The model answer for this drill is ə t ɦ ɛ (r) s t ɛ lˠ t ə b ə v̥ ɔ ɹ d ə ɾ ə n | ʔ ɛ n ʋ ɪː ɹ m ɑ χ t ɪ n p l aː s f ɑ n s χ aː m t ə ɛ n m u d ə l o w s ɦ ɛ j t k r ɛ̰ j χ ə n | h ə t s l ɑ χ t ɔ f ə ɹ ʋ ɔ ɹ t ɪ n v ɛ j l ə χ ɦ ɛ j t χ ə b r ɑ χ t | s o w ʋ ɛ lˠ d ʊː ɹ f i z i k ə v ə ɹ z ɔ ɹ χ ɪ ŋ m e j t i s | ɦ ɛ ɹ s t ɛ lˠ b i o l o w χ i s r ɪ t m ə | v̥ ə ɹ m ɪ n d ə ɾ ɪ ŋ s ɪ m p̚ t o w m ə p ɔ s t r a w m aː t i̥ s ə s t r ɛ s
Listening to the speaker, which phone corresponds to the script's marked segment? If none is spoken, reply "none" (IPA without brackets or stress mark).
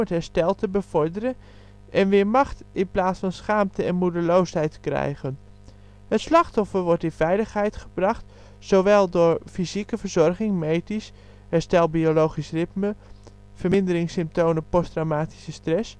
ɹ